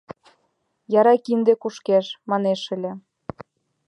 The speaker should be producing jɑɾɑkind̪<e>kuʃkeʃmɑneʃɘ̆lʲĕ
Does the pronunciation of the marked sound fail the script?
no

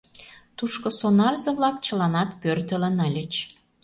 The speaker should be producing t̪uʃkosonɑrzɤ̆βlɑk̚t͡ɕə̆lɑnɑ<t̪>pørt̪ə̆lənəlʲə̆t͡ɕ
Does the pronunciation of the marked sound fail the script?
no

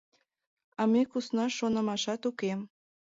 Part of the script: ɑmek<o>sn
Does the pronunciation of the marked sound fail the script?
yes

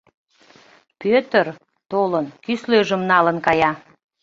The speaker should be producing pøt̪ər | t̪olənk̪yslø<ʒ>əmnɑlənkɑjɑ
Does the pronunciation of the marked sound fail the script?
no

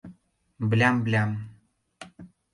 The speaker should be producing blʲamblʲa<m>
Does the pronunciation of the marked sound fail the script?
no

